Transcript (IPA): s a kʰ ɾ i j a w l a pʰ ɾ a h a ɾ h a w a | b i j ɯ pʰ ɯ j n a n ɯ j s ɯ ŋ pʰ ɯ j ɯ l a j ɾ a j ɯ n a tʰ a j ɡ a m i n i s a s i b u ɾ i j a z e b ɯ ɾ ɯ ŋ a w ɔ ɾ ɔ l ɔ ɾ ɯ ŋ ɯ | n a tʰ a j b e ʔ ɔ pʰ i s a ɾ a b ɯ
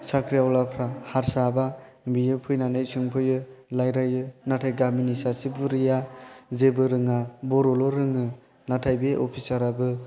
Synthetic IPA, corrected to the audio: s a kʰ ɾ i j a w l a pʰ ɾ a h a ɾ s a b a | b i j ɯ pʰ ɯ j n a n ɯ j s ɯ ŋ pʰ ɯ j ɯ l a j ɾ a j ɯ n a tʰ a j ɡ a m i n i s a s i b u ɾ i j a z e b ɯ ɾ ɯ ŋ a b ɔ ɾ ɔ l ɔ ɾ ɯ ŋ ɯ | n a tʰ a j b e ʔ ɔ pʰ i s a ɾ a b ɯ